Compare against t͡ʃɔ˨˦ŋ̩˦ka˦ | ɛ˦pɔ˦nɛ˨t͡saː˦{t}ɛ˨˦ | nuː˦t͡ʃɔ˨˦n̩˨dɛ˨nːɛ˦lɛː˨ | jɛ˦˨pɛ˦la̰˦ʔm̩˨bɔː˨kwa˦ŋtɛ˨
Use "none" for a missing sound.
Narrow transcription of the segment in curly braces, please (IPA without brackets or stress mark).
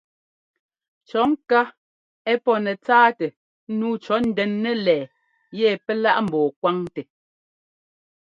t